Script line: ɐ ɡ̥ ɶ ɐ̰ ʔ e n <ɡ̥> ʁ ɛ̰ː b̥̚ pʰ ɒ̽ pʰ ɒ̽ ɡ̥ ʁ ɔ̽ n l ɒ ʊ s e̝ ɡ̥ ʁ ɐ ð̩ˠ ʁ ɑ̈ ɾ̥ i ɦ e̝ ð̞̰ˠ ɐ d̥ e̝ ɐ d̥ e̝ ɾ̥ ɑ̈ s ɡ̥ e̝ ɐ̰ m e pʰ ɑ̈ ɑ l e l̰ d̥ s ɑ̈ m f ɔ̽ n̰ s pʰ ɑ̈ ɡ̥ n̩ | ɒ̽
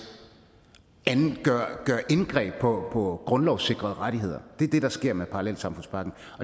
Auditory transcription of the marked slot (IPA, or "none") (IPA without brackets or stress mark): ɡ̥